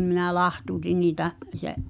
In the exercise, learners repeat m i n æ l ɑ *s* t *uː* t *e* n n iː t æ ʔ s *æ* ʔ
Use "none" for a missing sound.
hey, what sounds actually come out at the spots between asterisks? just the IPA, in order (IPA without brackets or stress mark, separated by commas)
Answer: h, uː, i, e